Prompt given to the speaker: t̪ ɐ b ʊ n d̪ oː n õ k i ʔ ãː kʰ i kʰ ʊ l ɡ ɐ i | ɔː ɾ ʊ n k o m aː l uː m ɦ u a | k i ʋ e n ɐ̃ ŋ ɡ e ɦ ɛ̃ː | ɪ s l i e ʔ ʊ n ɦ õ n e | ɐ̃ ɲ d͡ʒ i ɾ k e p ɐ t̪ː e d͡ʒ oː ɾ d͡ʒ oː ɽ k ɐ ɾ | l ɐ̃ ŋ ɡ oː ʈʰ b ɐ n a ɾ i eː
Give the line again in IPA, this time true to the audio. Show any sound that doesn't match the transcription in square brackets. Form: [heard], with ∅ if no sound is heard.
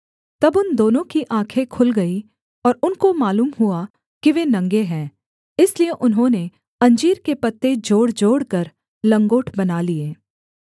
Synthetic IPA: t̪ ɐ b ʊ n d̪ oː n õ k i ʔ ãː kʰ [e] kʰ ʊ l ɡ ɐ i | ɔː ɾ ʊ n k o m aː l uː m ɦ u a | k i ʋ e n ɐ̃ ŋ ɡ e ɦ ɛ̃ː | ɪ s l i e ʔ ʊ n ɦ õ n e | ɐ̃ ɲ d͡ʒ [iː] ɾ k e p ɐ t̪ː e d͡ʒ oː [ɽ] d͡ʒ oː ɽ k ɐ ɾ | l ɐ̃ ŋ ɡ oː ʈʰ b ɐ n a [l] i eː